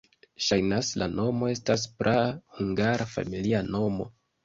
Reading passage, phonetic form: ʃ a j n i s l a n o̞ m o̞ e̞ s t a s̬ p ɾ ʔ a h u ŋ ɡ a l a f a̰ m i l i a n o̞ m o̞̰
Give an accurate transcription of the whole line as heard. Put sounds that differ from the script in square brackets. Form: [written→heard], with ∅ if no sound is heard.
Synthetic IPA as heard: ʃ a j n [i→a] s l a n o̞ m o̞ e̞ s t a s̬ p ɾ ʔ a h u ŋ ɡ a [l→ɾ] a f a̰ m i l i a n o̞ m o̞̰